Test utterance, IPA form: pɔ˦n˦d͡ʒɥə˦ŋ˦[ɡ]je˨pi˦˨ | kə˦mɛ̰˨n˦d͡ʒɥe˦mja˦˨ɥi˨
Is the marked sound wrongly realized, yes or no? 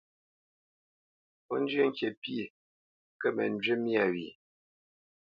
yes